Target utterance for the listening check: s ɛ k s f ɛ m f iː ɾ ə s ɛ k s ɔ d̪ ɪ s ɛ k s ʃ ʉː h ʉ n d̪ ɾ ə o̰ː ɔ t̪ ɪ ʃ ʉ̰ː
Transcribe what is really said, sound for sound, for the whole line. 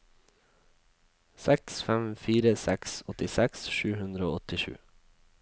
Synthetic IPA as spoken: s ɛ k s f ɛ m f iː ɾ ə s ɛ k s ɔ t̪ ɪ s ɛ k s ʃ ʉː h ʉ n d̪ ɾ ə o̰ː ɔ t̪ ɪ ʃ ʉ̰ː